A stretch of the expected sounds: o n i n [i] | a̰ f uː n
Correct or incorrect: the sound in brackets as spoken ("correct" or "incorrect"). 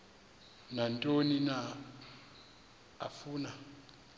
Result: incorrect